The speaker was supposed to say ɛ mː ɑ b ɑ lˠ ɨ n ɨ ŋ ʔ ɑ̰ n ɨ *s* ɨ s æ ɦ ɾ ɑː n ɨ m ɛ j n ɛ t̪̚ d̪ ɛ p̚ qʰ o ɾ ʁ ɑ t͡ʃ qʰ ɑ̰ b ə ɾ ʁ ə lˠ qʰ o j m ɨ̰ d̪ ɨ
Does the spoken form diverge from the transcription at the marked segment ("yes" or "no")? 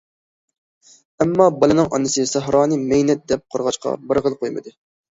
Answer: no